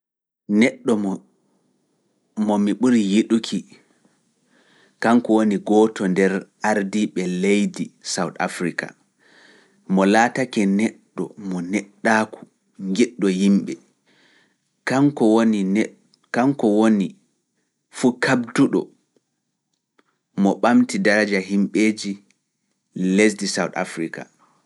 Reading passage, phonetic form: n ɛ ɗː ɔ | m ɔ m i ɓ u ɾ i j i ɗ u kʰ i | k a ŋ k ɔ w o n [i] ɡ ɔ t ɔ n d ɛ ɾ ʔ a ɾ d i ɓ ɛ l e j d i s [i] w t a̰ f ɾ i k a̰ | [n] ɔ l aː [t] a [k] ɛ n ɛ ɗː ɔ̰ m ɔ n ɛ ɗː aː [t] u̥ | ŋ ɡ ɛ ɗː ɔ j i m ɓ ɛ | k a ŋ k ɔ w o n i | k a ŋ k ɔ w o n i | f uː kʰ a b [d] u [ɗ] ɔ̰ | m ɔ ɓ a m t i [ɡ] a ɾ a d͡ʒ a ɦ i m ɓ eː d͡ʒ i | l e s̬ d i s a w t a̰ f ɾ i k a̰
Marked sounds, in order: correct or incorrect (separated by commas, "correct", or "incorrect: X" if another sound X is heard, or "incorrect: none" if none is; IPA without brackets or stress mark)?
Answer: correct, incorrect: a, incorrect: m, correct, correct, incorrect: k, correct, correct, incorrect: d